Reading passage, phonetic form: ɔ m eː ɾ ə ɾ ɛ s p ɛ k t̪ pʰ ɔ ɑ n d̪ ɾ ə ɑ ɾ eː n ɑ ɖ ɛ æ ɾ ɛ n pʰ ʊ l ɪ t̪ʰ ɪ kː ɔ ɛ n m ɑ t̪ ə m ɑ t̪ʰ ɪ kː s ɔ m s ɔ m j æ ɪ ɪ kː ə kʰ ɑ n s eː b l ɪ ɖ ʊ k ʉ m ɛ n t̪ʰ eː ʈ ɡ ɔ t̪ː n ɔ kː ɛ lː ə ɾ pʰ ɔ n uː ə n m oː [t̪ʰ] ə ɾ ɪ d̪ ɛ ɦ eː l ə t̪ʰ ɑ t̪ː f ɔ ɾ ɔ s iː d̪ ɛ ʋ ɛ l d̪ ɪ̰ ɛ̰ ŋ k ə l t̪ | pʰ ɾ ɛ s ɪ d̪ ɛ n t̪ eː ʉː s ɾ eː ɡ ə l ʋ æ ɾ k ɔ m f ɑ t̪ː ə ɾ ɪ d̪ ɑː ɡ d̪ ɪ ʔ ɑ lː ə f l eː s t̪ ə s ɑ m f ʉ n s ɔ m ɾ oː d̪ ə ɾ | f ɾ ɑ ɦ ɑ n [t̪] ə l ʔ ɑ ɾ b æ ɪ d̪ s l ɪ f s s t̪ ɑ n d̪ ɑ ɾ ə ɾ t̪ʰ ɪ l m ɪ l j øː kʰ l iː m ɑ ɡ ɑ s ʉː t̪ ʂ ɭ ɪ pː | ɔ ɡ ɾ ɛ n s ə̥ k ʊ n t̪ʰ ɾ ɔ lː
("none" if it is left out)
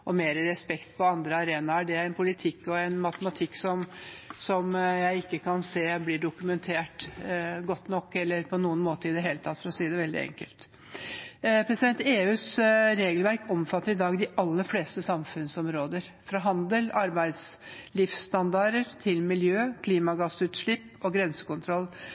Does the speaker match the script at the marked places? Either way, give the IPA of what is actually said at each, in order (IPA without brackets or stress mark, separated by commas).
t̪, d̪